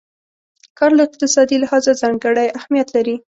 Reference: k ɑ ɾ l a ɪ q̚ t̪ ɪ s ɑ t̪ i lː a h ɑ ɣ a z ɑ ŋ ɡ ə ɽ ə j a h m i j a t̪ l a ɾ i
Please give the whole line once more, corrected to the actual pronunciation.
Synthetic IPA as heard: k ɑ ɾ l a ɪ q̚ t̪ ɪ s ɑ d̪ i l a h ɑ z a z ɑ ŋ ɡ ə ɽ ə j a h m i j a t̪ l a ɾ i